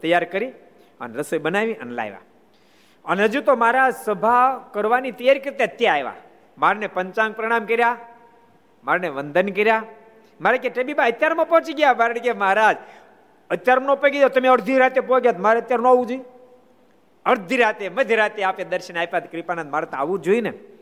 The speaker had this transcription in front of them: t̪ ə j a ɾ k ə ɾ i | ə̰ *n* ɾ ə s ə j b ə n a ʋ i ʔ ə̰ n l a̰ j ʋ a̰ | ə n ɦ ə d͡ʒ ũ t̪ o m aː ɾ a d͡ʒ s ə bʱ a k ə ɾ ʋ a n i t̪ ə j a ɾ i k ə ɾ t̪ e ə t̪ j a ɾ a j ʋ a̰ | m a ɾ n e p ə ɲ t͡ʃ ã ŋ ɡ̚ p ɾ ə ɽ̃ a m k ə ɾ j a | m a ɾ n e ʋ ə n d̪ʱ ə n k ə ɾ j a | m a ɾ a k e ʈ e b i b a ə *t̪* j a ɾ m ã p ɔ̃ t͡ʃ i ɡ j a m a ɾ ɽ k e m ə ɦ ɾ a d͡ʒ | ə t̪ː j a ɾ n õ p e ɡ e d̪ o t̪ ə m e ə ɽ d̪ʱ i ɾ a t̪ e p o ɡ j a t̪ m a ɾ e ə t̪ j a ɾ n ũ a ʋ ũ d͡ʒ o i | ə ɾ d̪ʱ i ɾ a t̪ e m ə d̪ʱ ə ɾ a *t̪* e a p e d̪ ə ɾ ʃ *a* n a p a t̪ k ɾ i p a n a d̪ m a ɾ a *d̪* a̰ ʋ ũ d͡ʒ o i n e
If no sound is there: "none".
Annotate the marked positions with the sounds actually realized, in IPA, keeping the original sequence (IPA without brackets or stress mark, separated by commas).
n, t̪, t̪, ə, t̪